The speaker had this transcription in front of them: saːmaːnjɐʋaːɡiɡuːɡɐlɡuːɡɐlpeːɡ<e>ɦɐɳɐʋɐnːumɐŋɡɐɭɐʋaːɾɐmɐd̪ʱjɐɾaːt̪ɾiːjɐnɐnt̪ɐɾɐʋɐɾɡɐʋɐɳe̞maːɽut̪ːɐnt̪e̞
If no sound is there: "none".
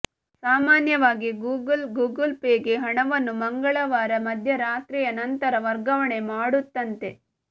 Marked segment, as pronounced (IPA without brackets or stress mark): e